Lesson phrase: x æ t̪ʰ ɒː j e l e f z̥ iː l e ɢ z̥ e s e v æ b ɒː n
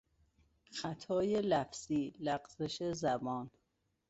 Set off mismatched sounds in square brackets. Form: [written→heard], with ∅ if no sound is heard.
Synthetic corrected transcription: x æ t̪ʰ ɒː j e l [e→æ] f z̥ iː l [e→æ] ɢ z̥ e [s→ʃ] e [v→z] æ b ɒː n